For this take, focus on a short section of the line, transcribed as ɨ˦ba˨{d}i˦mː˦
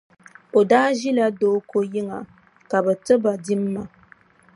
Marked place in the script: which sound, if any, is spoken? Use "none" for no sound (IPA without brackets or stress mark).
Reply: d